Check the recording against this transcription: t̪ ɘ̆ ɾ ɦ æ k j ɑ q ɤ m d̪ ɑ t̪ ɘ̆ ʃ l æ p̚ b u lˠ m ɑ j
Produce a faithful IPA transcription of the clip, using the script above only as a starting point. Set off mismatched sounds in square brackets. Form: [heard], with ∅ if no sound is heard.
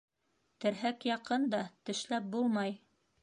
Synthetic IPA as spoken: t̪ ɘ̆ ɾ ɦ æ k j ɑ q ɤ [n] d̪ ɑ t̪ ɘ̆ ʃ l æ p̚ b u lˠ m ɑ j